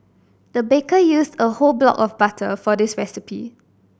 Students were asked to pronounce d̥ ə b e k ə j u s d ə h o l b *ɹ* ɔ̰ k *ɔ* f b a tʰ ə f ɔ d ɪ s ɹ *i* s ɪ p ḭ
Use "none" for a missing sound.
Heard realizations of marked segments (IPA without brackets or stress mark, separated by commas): l, ɔ, ɛ